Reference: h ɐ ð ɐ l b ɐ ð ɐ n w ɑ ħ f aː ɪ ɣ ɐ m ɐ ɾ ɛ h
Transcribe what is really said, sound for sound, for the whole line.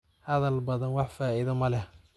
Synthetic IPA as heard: h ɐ ð ɐ l b ɐ ð ɐ n w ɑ ħ f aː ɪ ð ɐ m ɐ l ɛ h